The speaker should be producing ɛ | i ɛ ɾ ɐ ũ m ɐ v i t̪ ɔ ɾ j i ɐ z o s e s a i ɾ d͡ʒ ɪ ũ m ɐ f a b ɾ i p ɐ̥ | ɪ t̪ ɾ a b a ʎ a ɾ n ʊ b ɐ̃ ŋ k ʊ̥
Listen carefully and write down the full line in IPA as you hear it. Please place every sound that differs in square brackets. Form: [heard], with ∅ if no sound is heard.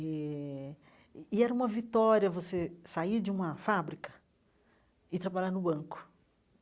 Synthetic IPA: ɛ | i ɛ ɾ ɐ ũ m ɐ v i t̪ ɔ ɾ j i ɐ [v] o s e s a i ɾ d͡ʒ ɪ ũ m ɐ f a b ɾ i [k] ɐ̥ | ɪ t̪ ɾ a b a ʎ a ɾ n ʊ b ɐ̃ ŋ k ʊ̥